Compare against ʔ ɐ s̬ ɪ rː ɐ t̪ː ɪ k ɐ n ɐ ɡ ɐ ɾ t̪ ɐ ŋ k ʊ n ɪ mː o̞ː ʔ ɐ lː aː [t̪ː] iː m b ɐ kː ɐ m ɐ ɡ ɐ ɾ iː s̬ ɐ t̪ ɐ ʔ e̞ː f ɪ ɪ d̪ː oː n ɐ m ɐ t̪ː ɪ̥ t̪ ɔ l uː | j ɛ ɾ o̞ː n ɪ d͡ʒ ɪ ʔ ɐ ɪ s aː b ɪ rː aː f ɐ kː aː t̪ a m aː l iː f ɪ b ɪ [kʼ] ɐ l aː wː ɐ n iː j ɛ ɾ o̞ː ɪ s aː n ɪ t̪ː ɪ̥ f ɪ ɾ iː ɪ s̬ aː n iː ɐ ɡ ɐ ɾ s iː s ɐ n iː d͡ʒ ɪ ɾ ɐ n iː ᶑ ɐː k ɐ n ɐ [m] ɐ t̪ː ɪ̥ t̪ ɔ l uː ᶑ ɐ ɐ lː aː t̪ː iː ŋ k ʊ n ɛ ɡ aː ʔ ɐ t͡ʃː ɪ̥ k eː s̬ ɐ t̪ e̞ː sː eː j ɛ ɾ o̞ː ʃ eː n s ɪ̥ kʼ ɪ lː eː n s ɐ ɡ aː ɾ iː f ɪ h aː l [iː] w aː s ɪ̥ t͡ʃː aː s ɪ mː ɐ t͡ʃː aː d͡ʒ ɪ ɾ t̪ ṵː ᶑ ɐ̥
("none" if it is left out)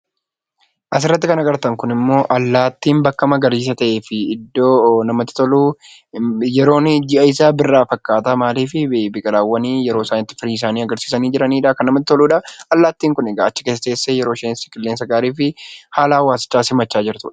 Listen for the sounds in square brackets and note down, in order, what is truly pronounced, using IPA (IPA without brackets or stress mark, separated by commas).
t̪ː, kʼ, m, aː